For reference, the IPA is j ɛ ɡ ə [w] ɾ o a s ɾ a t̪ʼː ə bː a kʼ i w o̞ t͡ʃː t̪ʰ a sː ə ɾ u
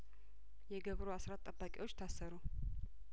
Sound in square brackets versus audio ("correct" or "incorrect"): incorrect